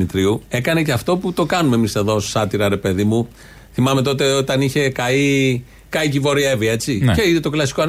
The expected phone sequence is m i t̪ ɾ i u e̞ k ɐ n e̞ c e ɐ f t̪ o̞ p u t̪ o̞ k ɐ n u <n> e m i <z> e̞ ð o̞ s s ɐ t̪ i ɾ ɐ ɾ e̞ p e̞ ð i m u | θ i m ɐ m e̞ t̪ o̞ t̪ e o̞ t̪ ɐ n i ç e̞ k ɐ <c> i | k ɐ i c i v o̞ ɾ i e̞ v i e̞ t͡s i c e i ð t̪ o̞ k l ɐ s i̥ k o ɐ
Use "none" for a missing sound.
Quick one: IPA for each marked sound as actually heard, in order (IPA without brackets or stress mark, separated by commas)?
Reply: m, s, none